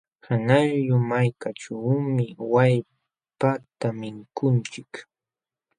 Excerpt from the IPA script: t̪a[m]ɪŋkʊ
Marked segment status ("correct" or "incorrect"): correct